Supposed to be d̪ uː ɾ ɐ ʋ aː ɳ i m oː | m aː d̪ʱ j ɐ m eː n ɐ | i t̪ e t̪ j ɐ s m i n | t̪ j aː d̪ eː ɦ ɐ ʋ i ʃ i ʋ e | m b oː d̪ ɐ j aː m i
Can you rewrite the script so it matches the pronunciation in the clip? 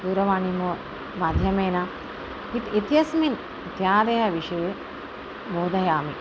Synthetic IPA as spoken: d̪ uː ɾ ɐ ʋ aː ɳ i m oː | m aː d̪ʱ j ɐ m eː n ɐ | i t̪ i t̪ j ɐ s m i n | t̪ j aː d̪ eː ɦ ɐ ʋ i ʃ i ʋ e | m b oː d̪ ɐ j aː m i